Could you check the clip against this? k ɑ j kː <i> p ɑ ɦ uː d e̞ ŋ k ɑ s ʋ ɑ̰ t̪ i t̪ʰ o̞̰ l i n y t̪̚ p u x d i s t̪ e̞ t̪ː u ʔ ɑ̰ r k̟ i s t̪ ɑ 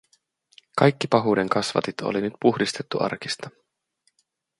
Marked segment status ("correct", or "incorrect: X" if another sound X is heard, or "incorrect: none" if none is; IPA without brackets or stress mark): correct